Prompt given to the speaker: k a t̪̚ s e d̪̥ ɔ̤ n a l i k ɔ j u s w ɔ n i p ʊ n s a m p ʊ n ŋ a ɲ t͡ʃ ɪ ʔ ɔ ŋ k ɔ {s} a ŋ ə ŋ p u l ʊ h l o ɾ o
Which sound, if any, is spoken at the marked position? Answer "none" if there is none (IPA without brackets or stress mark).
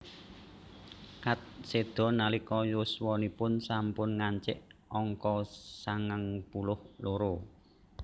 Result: s